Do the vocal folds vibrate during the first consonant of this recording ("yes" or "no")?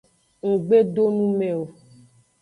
yes